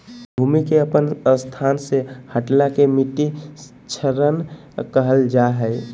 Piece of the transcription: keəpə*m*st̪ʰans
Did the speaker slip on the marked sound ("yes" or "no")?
yes